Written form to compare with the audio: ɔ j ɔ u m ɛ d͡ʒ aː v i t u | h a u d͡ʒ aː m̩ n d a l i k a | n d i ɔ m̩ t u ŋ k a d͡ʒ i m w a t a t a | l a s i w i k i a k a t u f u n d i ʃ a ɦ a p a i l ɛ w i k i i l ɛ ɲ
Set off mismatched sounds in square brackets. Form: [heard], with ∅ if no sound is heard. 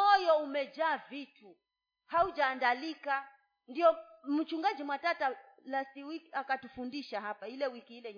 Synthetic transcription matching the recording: ɔ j ɔ u m ɛ d͡ʒ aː v i t u | h a u d͡ʒ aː [∅] n d a l i k a | n d i ɔ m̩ [t͡ʃ] u ŋ [ɡ] a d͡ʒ i m w a t a t a | l a s i w i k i a k a t u f u n d i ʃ a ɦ a p a i l ɛ w i k i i l ɛ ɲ